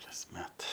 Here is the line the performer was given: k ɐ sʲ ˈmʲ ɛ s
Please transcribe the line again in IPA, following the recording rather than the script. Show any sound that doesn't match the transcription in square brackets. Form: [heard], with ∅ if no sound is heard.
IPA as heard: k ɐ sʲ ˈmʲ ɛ [t]